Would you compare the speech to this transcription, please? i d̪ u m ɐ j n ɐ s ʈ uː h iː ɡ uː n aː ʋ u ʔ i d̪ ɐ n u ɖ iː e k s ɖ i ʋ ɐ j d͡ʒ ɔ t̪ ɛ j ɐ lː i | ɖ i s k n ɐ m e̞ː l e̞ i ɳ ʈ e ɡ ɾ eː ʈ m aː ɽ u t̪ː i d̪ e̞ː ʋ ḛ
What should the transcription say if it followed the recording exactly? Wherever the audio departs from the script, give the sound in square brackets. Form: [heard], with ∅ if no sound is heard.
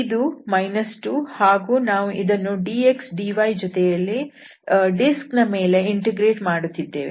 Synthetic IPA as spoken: i d̪ u m ɐ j n ɐ s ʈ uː h [aː] ɡ uː n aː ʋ u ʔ i d̪ ɐ [nː] u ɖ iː e k s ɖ i ʋ ɐ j d͡ʒ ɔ t̪ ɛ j ɐ lː i | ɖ i s k n ɐ m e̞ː l e̞ i ɳ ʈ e ɡ ɾ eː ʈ m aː ɽ u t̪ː i [d̪ː] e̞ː ʋ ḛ